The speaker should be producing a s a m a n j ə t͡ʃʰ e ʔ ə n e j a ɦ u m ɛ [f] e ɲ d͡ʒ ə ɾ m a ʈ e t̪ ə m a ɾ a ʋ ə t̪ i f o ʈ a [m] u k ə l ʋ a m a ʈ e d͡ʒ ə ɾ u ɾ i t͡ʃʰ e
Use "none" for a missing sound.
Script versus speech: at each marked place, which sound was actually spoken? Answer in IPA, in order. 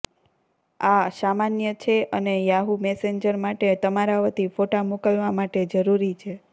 s, m

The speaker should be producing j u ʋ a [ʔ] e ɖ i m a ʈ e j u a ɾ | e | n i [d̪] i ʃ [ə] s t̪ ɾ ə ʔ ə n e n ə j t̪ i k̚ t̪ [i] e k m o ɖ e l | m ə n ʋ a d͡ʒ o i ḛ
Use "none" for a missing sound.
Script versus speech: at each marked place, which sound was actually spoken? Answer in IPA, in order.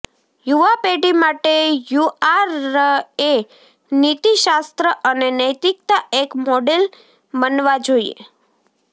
p, t̪, a, a

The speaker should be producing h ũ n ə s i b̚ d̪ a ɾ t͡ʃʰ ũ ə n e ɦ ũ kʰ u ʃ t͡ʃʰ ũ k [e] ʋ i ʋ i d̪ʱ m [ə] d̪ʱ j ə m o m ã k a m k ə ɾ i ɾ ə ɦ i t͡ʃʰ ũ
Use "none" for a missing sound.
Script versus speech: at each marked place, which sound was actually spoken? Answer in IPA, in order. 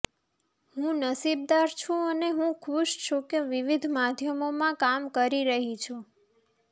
e, a

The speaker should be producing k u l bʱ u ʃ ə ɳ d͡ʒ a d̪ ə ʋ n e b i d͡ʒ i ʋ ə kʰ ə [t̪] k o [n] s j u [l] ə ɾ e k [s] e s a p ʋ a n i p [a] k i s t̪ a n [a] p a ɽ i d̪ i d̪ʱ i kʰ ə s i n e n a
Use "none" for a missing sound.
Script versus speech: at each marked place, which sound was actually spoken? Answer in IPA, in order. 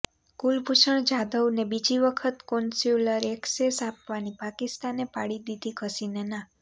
t̪, n, l, s, a, e

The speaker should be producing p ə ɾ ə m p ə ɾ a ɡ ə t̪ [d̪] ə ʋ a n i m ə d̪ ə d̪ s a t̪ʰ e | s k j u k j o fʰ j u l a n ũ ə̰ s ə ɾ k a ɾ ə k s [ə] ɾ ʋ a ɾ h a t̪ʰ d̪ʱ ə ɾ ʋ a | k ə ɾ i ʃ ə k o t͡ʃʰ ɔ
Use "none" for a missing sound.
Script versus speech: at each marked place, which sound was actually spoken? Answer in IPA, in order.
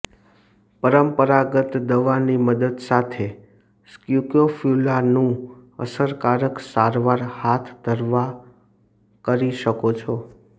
d̪, a

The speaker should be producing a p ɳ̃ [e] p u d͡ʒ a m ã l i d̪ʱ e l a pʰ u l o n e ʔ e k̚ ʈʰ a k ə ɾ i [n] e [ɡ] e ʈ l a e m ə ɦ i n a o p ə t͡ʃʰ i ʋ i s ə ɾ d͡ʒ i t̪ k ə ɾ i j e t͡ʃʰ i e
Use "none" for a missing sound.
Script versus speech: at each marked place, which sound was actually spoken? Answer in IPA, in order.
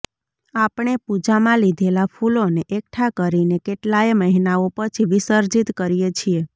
e, n, k

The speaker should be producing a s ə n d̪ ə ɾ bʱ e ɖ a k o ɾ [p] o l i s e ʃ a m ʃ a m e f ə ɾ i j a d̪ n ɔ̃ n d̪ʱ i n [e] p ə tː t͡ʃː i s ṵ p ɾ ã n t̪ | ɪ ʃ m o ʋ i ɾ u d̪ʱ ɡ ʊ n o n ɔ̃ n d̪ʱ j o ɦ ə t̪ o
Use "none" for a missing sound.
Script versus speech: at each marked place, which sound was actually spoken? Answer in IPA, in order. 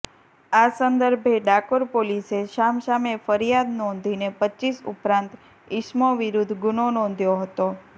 p, e

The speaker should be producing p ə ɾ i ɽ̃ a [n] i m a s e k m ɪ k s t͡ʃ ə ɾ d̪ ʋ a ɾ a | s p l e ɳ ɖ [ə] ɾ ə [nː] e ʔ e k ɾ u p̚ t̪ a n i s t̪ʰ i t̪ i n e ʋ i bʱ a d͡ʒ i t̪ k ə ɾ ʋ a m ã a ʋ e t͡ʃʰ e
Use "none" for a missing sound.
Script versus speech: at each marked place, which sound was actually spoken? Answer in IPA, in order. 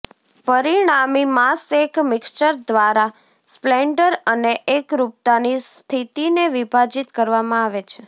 m, ə, n

